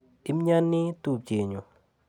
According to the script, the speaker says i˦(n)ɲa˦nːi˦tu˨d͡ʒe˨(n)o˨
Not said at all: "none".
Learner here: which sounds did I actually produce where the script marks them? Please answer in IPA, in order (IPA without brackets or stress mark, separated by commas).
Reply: m, ɲ